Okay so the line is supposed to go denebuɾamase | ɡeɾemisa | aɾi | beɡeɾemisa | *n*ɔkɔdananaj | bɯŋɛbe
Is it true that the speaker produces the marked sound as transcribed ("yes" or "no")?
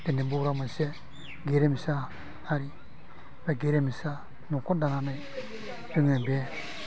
yes